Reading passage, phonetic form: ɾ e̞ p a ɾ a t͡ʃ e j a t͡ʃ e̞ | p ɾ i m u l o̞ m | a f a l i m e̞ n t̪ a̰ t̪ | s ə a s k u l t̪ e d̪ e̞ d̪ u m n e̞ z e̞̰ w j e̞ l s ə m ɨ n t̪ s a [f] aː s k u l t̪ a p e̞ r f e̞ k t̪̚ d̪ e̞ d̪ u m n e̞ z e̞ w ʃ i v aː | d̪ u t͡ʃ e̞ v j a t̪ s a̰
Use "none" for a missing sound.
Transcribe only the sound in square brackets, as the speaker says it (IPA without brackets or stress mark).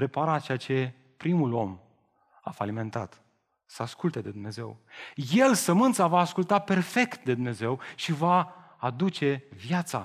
v